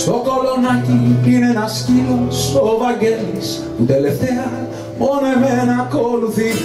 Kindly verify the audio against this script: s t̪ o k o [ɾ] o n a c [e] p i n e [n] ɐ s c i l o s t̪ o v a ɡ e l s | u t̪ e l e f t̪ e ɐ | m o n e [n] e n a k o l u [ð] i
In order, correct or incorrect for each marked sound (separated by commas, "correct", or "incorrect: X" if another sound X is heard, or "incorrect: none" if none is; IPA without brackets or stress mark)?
incorrect: l, incorrect: i, correct, incorrect: m, incorrect: θ